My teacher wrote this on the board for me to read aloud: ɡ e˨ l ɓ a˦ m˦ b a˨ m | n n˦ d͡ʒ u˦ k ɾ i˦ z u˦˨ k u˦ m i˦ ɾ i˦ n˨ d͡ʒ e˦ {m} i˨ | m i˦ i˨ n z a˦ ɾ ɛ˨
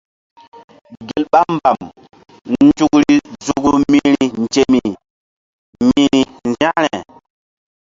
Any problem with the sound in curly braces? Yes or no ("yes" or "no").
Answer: no